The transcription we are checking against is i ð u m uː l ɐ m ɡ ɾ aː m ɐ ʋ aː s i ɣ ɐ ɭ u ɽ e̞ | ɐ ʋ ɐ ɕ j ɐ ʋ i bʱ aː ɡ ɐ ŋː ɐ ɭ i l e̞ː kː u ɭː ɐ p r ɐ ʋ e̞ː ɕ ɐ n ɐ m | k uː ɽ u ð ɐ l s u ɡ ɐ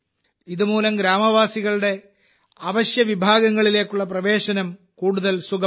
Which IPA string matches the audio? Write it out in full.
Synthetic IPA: i ð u m uː l ɐ m ɡ ɾ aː m ɐ ʋ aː s i ɣ ɐ ɭ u ɽ e̞ | ɐ ʋ ɐ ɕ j ɐ ʋ i bʱ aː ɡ ɐ ŋː ɐ ɭ i l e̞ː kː u ɭː ɐ p r ɐ ʋ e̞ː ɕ ɐ n ɐ m | k uː ɽ u ð ɐ l s u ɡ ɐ